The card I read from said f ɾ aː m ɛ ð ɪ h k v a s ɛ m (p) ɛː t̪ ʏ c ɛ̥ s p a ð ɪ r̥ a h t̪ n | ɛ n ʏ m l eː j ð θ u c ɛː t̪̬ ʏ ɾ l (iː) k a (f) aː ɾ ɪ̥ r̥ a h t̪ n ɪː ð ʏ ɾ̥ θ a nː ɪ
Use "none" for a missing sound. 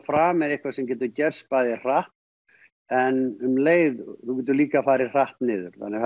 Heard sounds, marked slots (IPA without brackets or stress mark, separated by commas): c, iː, f